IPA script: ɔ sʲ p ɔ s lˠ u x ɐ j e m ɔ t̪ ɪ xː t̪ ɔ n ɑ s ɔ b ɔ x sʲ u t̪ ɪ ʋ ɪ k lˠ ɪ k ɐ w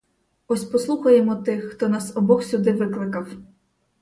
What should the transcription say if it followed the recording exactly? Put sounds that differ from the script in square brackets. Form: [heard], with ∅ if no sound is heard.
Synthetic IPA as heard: ɔ sʲ p ɔ s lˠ u x ɐ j e m ɔ t̪ ɪ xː t̪ ɔ n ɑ s ɔ b ɔ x sʲ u [d̪] ɪ ʋ ɪ k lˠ ɪ k ɐ w